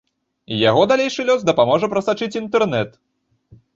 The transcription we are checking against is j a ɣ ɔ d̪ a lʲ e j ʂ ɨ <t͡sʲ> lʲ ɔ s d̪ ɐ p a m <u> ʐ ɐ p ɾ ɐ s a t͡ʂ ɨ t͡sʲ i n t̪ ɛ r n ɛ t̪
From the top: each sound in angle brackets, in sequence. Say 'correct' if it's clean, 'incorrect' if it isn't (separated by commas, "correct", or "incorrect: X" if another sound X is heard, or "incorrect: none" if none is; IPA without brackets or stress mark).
incorrect: none, incorrect: ɔ